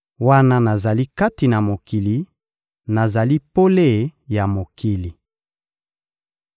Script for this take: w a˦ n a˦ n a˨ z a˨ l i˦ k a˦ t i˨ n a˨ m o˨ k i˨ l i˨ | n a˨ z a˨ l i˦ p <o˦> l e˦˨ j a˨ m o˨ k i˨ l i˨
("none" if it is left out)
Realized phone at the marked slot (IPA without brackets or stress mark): o˦